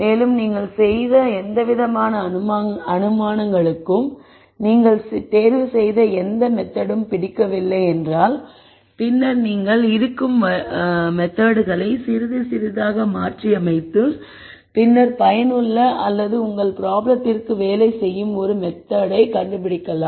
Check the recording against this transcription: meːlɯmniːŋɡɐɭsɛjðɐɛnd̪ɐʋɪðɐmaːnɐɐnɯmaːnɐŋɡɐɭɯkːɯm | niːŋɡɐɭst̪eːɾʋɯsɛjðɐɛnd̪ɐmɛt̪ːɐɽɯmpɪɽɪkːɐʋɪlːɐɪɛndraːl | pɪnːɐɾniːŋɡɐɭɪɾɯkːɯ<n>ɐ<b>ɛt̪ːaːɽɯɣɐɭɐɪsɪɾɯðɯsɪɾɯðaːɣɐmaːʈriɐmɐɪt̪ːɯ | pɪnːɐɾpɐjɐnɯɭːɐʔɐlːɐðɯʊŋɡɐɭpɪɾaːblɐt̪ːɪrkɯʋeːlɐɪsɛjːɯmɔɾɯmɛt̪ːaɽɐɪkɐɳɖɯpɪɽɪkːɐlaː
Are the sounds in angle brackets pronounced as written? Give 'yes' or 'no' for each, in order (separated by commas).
no, no